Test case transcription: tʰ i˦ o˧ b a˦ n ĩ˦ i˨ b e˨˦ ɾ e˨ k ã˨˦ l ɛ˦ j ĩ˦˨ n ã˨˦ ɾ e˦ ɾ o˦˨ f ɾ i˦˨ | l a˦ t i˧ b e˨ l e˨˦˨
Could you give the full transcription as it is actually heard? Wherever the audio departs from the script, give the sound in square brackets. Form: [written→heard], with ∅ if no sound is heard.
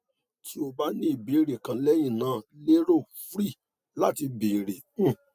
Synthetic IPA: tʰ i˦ o˧ b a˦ n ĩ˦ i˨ b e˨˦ ɾ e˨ k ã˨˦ l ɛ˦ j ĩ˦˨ n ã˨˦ [ɾ→l] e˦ ɾ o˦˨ f ɾ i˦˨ | l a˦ t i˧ b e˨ [l→ɾ] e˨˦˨